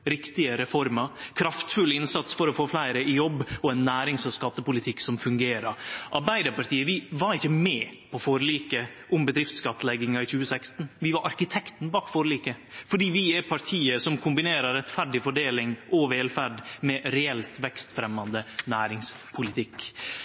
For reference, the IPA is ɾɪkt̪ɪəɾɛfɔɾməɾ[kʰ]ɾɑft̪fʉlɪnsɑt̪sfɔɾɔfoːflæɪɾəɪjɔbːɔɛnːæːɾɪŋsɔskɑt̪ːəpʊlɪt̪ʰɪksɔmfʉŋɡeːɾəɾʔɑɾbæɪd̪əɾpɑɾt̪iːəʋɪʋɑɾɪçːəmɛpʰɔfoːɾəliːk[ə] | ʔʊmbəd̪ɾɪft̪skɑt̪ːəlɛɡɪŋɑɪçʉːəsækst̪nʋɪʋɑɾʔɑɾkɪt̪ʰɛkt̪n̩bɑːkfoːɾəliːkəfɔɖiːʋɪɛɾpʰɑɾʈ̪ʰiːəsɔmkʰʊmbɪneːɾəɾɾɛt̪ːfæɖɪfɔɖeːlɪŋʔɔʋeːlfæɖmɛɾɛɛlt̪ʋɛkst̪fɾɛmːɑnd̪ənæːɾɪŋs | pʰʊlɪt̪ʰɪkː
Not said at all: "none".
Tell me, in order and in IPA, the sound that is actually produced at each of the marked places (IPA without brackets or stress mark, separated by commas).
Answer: kʰ, ə